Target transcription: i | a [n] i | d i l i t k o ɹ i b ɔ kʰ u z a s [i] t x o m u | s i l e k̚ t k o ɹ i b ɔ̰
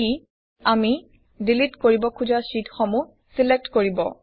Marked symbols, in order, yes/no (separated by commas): no, yes